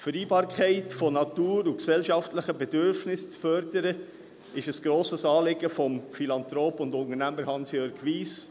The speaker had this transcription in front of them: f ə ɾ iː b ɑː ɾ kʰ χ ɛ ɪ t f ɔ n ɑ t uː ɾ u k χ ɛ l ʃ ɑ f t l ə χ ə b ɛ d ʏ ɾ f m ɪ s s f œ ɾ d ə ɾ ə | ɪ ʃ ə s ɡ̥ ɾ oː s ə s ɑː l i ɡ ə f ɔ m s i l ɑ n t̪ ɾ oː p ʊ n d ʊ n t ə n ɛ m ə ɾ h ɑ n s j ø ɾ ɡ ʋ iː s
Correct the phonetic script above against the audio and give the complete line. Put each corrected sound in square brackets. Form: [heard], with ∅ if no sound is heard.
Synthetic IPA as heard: f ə ɾ iː b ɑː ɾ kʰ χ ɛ ɪ t f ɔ n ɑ t uː ɾ u k [s] ɛ l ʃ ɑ f t l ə χ ə b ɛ d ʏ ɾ f [n] ɪ s [t͡s] f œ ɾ d ə ɾ ə | ɪ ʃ ə s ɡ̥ ɾ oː s ə s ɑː l [ɪ] ɡ ə f ɔ m [f] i l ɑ n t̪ ɾ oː p ʊ n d ʊ n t ə n [æ] m ə ɾ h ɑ n s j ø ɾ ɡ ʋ iː s